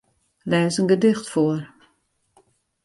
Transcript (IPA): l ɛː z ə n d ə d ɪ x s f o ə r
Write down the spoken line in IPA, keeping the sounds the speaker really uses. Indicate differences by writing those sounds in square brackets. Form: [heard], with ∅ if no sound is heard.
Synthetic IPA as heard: l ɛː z ə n [ɡ] ə d ɪ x [t] f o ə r